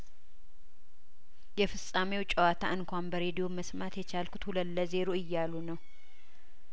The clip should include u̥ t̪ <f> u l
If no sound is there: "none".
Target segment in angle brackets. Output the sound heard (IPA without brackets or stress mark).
h